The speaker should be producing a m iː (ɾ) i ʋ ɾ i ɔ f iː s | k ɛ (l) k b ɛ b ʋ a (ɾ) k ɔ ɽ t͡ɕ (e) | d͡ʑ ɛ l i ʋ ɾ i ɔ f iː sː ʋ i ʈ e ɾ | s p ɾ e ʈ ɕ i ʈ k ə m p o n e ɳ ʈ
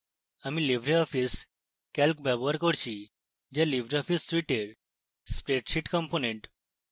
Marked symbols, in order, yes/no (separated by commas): no, yes, yes, no